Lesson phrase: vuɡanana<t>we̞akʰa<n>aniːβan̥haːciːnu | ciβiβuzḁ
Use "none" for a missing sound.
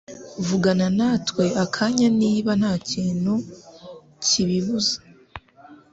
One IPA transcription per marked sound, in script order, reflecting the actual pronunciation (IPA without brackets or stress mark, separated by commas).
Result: t, ɲ